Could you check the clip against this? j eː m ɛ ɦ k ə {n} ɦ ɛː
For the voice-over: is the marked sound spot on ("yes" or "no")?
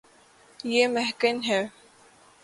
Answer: yes